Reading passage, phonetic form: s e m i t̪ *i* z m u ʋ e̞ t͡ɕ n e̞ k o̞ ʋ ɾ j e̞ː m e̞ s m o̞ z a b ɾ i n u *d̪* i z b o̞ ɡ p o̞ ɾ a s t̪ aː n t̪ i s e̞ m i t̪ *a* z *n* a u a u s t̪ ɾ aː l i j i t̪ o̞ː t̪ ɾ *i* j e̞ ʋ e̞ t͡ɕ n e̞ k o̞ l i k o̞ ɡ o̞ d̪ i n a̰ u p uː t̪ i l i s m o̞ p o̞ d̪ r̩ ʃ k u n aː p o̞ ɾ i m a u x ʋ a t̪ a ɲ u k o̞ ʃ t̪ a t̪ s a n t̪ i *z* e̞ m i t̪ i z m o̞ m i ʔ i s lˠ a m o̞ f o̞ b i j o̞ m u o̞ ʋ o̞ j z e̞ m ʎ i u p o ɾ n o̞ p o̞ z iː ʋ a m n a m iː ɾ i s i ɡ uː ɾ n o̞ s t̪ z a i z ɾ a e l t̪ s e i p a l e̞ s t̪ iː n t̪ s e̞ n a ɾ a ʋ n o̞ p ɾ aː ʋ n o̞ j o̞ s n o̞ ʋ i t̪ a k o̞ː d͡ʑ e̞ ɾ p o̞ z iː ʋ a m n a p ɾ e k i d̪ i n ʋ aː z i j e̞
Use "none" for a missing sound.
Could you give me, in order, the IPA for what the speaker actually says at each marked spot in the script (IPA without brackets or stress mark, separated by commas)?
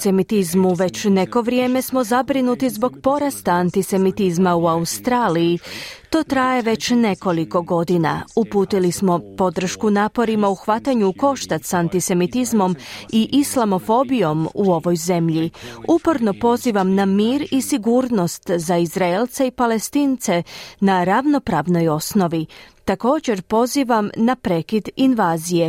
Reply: i, t̪, i, m, a, s